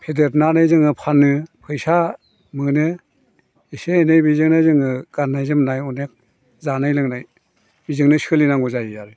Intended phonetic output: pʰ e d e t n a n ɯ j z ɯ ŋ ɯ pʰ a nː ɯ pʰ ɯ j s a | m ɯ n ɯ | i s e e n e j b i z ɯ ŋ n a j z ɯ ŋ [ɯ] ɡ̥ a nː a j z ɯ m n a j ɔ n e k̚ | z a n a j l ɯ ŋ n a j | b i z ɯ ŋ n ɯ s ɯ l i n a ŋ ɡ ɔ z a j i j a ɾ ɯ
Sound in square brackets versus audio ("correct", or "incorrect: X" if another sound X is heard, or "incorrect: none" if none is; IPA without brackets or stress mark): correct